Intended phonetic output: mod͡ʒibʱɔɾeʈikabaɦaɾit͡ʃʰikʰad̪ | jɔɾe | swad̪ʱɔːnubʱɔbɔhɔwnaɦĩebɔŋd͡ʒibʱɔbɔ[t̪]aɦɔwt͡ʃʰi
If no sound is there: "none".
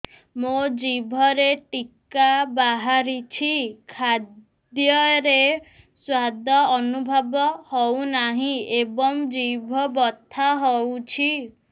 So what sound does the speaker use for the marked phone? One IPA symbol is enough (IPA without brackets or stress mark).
t̪ʰ